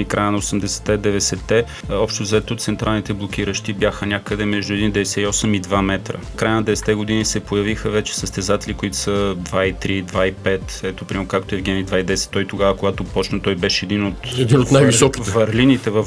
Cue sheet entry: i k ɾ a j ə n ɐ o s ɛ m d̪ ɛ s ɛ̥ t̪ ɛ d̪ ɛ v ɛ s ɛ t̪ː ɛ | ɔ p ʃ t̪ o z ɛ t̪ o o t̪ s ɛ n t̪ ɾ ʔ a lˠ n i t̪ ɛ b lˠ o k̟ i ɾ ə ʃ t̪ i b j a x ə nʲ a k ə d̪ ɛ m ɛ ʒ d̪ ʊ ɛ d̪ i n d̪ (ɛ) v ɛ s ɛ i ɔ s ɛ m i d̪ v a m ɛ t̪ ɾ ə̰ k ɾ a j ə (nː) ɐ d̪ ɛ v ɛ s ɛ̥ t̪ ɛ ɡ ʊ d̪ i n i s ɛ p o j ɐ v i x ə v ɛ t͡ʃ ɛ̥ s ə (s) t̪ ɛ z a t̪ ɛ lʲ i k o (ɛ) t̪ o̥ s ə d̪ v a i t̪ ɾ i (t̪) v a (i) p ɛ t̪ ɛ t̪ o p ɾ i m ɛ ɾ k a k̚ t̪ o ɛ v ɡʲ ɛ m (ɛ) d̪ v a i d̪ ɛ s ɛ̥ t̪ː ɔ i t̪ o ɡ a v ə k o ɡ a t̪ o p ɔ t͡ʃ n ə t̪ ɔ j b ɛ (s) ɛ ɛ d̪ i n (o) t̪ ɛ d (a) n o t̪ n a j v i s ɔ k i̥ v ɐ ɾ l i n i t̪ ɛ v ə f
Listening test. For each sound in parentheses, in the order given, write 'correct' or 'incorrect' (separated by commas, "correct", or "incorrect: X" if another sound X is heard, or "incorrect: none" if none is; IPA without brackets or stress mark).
correct, incorrect: n, correct, incorrect: i, incorrect: d̪, correct, incorrect: i, incorrect: ʃ, correct, incorrect: i